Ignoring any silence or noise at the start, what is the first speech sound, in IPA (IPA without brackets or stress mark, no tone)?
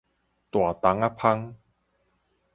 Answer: t̪